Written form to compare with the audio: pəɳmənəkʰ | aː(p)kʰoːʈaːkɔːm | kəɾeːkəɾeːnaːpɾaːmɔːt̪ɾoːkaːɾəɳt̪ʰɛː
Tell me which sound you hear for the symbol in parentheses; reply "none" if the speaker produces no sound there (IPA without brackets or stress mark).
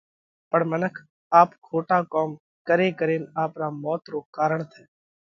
p